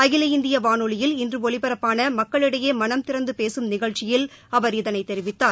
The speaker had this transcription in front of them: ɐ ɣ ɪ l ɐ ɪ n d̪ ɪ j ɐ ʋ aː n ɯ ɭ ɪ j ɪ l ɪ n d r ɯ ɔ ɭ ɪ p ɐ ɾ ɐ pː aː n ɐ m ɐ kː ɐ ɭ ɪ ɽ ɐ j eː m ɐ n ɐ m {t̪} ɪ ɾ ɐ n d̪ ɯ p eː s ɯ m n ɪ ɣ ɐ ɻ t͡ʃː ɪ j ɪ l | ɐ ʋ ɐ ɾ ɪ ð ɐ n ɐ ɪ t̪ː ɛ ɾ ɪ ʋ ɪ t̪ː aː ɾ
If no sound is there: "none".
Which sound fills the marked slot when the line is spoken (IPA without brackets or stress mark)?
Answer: t̪